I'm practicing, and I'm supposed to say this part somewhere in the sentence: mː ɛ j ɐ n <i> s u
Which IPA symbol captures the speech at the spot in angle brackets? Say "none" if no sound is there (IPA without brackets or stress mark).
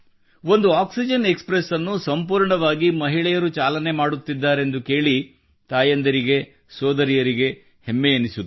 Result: i